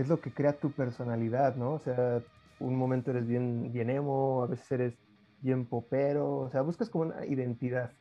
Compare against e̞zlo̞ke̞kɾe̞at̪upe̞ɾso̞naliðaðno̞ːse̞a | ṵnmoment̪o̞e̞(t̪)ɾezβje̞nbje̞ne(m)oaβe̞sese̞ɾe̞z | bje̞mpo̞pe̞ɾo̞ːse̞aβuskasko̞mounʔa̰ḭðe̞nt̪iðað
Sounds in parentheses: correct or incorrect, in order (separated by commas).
incorrect, correct